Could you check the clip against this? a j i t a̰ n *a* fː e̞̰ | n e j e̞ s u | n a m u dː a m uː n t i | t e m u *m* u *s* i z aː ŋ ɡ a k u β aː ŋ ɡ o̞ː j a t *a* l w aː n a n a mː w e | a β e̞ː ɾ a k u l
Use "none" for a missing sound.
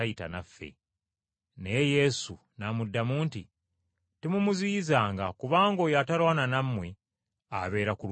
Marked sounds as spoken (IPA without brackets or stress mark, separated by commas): a, m, z, a